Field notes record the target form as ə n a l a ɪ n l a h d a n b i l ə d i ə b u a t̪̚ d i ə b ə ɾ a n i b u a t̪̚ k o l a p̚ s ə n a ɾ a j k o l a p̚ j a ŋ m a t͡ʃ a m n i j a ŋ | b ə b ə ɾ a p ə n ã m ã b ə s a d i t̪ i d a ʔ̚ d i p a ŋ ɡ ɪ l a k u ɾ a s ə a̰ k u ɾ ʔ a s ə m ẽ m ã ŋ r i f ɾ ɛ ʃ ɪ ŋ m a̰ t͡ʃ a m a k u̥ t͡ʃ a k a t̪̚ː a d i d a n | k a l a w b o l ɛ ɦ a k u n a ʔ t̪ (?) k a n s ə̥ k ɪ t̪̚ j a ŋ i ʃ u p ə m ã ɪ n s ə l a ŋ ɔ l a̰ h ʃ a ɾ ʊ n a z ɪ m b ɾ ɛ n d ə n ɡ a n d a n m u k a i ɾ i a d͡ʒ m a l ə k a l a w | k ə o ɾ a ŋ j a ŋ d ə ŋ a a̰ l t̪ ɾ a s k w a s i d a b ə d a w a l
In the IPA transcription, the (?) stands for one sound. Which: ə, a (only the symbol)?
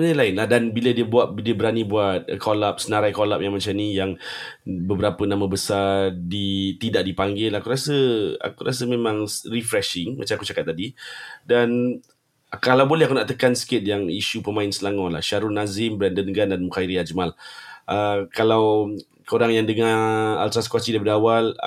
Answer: ə